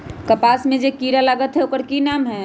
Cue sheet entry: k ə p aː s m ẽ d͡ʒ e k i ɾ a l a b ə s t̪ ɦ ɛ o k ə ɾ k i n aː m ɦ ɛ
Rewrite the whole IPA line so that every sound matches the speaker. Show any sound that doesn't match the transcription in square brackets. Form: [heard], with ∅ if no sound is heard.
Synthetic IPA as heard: k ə p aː s m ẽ d͡ʒ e k i ɾ a l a [ɡ] ə [∅] t̪ ɦ ɛ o k ə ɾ k i n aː m ɦ ɛ